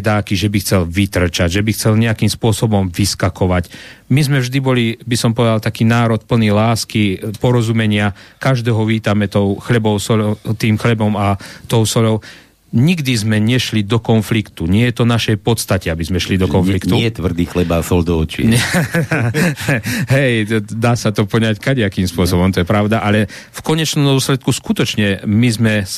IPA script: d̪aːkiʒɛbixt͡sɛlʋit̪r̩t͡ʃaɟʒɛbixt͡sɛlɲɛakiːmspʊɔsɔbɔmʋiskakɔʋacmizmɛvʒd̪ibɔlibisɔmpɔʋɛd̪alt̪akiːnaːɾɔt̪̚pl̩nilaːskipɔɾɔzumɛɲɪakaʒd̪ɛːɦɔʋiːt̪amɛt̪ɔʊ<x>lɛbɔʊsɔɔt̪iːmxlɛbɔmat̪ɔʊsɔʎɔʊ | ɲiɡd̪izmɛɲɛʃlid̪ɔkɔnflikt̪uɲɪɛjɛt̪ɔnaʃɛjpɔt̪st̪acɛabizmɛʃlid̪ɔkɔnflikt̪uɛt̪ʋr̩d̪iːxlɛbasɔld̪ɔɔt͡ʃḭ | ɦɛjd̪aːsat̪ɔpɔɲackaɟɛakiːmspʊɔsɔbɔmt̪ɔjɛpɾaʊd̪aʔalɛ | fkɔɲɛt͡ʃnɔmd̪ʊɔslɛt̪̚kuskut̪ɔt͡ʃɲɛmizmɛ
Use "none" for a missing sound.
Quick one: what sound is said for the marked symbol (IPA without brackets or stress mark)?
x